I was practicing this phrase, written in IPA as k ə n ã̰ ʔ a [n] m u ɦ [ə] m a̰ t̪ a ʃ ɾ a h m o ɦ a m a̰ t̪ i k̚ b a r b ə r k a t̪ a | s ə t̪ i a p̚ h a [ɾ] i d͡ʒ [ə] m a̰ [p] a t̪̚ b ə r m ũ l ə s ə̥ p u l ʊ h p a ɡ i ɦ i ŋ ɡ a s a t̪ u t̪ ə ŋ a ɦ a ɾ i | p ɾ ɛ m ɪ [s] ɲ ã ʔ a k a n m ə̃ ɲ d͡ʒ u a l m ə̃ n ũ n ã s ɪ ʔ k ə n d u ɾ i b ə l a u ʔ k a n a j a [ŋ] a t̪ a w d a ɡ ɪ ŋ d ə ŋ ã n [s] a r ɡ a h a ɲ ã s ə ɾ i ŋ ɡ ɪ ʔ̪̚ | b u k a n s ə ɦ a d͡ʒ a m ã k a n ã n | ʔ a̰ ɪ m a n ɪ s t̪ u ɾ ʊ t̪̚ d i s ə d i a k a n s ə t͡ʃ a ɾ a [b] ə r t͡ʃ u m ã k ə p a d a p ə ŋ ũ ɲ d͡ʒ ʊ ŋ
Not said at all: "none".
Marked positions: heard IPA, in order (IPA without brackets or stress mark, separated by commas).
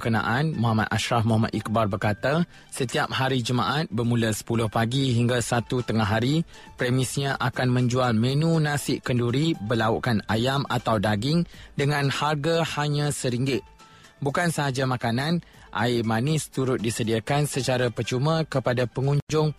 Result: n, a, ɾ, ə, ʔ, s, m, h, p